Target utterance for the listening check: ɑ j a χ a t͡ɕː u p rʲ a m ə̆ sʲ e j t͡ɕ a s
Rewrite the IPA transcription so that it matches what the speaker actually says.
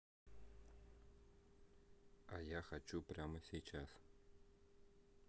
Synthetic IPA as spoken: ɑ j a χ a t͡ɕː u p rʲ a m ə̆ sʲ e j t͡ɕ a s